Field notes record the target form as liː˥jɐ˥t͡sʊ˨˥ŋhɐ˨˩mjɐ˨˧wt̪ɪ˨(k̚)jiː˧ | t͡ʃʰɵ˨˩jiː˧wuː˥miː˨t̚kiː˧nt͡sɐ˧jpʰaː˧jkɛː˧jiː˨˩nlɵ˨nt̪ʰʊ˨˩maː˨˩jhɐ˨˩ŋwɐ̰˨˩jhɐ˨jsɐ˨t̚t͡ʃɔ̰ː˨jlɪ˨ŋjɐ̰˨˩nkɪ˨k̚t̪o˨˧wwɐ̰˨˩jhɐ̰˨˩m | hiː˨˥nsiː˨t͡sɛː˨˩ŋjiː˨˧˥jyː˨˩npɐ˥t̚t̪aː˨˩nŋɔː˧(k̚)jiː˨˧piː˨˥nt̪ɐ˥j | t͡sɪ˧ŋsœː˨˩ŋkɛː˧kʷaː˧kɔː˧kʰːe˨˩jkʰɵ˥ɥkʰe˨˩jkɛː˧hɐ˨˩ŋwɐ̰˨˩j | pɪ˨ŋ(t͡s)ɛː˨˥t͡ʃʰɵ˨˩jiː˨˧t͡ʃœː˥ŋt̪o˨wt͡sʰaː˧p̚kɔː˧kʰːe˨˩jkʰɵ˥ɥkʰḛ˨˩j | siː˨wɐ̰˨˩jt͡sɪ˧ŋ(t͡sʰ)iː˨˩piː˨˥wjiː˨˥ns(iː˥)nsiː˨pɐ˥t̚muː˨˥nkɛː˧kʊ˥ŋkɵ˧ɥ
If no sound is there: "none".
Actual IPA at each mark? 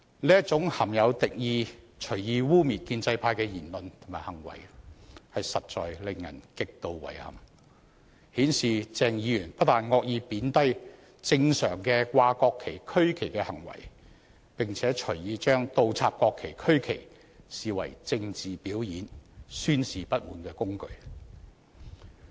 k̚, k̚, t͡sʰ, t͡s, yː˥

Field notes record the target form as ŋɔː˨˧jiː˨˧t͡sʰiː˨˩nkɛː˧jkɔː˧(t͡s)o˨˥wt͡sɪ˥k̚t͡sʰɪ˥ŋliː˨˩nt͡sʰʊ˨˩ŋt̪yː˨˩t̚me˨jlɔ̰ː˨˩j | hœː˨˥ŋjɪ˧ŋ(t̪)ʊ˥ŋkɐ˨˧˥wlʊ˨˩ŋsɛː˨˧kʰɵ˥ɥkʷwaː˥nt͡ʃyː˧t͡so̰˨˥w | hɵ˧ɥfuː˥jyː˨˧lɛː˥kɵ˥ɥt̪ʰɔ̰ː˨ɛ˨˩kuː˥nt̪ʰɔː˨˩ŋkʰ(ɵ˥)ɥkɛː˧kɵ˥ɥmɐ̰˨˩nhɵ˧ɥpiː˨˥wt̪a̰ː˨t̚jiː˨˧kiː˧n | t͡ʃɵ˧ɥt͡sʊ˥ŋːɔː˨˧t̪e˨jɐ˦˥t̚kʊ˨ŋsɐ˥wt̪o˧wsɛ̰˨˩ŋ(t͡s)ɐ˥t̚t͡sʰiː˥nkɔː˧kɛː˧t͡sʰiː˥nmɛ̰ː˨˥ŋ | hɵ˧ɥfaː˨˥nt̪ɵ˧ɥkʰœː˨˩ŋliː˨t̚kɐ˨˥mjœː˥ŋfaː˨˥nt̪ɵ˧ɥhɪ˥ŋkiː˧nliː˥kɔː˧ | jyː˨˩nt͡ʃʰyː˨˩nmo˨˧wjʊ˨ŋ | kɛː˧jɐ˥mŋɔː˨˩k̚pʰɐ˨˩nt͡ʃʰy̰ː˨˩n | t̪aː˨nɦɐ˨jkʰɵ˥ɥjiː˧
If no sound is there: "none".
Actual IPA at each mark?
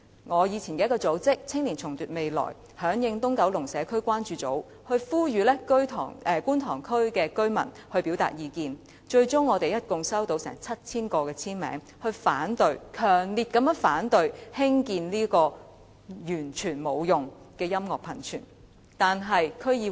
t͡s, t̪, ɵ˥, t͡sʰ

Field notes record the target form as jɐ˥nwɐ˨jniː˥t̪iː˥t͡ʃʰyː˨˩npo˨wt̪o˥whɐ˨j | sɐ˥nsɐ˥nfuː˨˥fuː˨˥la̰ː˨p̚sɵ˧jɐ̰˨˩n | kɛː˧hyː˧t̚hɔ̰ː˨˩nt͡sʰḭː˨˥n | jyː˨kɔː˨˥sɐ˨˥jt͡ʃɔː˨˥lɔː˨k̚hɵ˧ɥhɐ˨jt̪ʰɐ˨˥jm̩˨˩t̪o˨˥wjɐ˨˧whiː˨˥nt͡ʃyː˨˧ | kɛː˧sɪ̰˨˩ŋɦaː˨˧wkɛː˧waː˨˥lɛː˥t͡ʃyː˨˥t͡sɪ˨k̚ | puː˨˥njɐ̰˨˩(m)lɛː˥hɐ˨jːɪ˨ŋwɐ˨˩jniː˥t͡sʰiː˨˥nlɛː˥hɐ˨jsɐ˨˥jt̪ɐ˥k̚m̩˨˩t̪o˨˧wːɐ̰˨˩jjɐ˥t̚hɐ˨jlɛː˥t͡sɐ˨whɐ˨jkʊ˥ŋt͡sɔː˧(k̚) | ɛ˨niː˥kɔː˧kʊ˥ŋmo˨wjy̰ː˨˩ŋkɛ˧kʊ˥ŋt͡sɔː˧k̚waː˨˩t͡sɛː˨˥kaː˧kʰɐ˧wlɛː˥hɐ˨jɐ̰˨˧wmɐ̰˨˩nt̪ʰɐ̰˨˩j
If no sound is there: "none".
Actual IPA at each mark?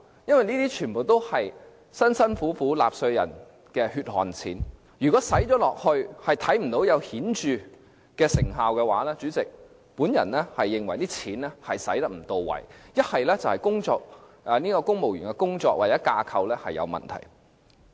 n, k̚

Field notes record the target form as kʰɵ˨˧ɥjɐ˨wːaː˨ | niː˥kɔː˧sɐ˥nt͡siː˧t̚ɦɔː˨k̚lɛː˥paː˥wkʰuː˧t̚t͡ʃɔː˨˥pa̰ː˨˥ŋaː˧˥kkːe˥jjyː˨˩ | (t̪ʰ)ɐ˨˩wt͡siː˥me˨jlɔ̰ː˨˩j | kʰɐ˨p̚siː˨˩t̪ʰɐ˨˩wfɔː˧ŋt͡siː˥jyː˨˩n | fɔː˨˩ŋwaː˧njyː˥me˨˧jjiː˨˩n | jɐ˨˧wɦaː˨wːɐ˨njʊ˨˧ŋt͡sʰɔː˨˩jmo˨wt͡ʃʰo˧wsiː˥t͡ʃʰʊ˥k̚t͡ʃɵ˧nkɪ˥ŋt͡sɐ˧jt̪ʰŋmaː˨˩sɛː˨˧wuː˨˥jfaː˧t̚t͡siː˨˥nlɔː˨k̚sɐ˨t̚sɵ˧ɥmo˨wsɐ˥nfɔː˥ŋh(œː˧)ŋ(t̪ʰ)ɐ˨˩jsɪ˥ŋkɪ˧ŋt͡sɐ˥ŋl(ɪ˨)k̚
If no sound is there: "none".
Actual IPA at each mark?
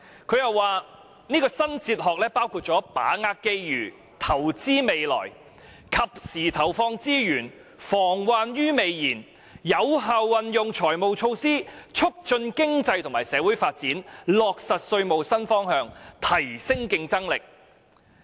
t̪ʰ, œː˧, t̪ʰ, ɪ˨

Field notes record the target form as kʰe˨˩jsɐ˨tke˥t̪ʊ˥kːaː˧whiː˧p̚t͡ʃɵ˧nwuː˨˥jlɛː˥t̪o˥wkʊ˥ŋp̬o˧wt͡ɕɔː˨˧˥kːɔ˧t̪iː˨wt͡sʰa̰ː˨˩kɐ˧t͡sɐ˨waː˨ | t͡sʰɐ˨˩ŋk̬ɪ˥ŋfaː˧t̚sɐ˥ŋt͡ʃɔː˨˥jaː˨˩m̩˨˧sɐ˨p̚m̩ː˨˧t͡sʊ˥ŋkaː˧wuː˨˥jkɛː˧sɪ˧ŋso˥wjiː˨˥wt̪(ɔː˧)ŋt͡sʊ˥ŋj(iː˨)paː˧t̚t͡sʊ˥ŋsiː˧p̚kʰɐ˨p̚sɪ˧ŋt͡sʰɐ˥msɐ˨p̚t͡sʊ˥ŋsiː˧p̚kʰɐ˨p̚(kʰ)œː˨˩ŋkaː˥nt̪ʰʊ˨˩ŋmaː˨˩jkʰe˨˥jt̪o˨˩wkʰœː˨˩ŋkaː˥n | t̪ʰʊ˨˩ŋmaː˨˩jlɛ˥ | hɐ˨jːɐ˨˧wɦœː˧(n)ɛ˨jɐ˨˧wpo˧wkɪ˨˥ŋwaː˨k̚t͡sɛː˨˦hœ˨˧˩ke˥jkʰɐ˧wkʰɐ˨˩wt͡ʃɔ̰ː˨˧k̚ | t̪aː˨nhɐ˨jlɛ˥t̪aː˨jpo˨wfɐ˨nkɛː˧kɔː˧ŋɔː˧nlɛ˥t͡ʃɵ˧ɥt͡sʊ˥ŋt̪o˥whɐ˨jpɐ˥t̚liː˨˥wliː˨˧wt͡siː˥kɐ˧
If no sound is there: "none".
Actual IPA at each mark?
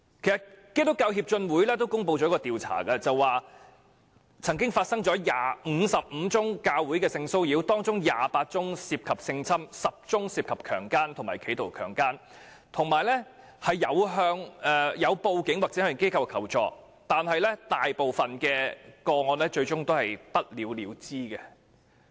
ɔː˥, aː˨, kʰ, ŋ

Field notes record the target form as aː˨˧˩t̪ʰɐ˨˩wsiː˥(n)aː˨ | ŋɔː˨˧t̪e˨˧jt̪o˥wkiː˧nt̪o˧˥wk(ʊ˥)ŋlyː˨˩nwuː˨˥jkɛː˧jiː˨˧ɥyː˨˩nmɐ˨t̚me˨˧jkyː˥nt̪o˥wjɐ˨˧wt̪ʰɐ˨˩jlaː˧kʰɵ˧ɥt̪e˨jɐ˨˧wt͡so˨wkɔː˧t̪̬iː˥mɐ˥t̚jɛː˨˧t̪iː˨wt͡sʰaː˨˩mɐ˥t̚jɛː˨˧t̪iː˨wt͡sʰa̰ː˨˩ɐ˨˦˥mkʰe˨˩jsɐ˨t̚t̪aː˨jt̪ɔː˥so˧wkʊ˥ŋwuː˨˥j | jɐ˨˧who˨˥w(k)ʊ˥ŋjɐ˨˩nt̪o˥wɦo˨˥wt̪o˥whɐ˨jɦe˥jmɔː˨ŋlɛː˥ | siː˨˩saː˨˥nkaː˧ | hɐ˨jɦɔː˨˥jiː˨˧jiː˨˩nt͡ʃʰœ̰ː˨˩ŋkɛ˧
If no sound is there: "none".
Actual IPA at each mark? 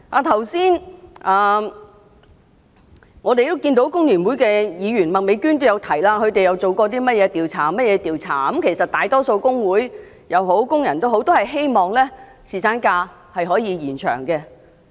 n, ʊ˥, k

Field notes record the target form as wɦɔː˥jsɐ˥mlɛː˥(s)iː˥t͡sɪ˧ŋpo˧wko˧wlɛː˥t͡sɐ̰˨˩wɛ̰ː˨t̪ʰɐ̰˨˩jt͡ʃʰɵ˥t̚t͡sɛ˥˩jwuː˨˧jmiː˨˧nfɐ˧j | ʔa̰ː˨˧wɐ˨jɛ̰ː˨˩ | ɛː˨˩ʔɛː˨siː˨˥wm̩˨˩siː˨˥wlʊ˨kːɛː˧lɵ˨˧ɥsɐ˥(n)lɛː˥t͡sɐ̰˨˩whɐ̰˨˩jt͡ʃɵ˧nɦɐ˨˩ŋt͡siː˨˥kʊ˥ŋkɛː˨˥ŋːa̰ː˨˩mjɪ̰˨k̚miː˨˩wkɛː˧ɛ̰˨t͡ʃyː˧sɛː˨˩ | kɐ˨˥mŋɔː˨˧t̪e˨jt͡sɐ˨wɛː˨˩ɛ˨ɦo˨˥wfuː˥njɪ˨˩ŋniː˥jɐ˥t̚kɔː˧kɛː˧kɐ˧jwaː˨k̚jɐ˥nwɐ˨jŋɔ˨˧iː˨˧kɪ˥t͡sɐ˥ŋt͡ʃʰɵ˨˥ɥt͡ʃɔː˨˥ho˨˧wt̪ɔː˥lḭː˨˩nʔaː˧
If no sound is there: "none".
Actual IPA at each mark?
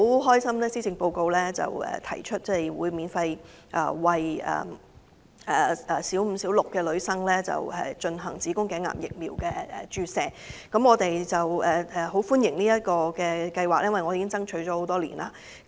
s, ŋ

